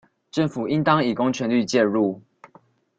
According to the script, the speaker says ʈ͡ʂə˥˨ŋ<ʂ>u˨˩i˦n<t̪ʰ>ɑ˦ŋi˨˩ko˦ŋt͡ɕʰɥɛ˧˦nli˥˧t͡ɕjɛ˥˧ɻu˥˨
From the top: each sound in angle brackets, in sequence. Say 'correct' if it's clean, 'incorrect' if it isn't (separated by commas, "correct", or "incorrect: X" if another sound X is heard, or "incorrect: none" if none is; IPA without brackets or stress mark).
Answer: incorrect: f, incorrect: t̪